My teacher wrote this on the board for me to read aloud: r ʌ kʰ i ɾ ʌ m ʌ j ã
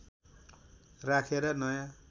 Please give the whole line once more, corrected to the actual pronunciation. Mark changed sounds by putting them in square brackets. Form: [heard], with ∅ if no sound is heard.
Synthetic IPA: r [a] kʰ [e] ɾ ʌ [n] ʌ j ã